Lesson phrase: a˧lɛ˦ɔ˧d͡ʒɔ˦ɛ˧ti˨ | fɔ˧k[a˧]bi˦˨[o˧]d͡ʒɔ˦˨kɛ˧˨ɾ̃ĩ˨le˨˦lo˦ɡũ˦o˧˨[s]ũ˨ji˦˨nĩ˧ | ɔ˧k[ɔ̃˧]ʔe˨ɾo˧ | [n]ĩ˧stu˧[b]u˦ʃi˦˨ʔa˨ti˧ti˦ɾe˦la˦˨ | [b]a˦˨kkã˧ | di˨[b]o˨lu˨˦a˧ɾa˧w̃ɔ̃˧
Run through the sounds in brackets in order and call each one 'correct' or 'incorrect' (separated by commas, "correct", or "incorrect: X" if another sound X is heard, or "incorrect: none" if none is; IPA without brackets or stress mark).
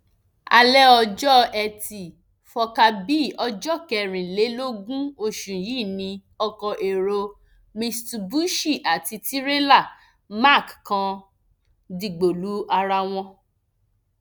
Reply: correct, incorrect: ɔ˧, incorrect: ʃ, incorrect: ɔ˧, incorrect: m, correct, incorrect: m, incorrect: ɡ͡b